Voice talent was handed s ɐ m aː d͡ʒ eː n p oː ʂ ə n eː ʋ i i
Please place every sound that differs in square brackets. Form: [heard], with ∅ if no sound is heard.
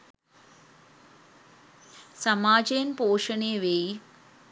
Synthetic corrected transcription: s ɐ m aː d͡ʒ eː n p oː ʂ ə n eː ʋ [e] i